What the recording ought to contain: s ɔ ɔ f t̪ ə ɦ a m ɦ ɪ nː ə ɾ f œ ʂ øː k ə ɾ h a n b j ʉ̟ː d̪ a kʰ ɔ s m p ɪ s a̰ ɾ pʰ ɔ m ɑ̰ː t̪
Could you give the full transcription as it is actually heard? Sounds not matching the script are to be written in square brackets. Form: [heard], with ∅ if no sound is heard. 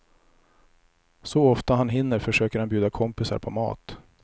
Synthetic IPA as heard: s ɔ ɔ f t̪ [a] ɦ a [n] ɦ ɪ nː ə ɾ f œ ʂ øː k ə ɾ h a n b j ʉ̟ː d̪ a kʰ ɔ [∅] m p ɪ s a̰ ɾ pʰ ɔ m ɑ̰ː t̪